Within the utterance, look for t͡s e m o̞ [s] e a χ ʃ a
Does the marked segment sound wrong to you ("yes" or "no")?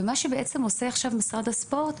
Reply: no